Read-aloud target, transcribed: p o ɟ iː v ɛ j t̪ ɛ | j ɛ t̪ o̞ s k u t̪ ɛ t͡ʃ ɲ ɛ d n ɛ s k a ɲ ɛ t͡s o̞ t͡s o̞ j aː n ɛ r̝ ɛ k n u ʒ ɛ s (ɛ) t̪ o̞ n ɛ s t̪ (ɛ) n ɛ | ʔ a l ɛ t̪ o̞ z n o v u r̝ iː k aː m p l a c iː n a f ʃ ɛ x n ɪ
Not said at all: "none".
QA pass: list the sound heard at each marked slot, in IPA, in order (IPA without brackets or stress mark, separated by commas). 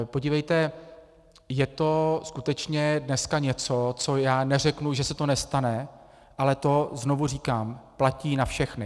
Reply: ɛ, a